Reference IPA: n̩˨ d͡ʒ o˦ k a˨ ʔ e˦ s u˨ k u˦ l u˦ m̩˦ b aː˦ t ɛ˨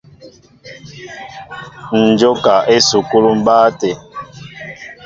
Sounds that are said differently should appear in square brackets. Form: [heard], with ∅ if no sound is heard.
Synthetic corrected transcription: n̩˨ d͡ʒ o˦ k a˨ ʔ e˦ s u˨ k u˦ l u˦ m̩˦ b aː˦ t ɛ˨